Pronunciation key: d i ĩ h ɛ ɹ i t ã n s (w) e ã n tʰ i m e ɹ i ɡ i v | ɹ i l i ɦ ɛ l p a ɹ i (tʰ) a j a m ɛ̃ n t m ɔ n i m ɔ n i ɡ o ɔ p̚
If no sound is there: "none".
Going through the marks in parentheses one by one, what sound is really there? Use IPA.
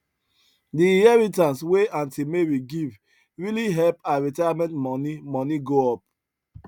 w, t

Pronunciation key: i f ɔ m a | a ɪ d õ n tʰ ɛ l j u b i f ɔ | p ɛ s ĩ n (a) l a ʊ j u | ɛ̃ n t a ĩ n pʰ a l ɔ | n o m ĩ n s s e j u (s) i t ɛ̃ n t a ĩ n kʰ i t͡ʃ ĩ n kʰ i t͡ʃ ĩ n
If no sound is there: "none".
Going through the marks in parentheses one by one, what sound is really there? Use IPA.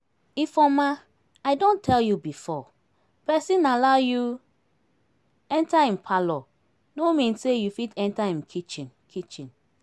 a, f

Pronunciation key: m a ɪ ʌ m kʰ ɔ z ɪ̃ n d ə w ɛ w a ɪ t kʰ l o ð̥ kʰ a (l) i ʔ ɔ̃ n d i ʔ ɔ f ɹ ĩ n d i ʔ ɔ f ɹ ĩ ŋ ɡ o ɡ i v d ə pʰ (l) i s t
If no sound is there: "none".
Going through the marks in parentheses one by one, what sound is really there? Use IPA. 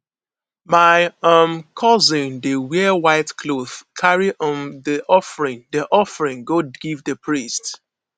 ɹ, ɹ

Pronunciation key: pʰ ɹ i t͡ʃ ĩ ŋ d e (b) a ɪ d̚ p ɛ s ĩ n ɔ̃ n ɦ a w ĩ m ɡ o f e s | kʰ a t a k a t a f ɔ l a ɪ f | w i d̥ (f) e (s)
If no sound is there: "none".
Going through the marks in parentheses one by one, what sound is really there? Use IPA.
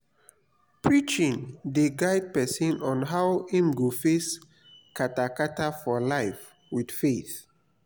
ɡ, f, θ

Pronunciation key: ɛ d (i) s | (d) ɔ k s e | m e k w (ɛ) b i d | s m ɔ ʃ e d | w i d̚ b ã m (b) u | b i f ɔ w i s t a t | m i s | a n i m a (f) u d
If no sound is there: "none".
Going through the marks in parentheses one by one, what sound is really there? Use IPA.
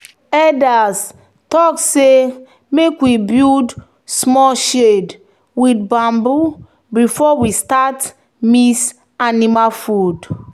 a, t, i, b, f

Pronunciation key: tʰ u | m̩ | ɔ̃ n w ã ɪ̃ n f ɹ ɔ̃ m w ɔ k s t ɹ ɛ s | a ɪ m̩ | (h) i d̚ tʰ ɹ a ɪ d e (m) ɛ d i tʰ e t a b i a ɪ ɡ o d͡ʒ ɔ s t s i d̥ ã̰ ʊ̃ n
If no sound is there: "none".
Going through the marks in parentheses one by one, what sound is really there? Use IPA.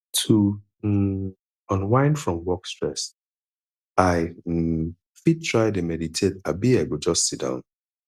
f, m

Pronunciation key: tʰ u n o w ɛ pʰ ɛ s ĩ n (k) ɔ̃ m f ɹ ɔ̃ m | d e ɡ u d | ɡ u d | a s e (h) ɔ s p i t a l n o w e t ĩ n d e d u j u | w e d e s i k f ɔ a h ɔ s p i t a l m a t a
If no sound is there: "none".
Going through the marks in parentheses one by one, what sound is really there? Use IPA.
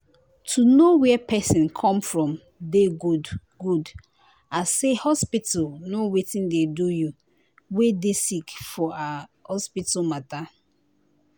kʰ, h

